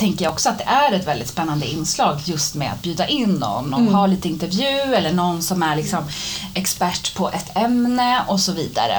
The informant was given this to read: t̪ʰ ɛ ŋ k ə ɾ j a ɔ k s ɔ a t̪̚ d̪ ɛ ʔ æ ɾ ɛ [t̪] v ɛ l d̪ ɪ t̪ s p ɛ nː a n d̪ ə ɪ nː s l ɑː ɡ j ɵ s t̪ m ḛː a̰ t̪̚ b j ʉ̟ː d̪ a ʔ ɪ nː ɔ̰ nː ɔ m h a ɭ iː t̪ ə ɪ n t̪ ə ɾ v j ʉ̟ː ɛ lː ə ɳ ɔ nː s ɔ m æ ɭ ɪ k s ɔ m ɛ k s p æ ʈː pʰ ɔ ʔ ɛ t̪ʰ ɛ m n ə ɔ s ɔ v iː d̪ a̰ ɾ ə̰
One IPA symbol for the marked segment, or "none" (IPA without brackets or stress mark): t̪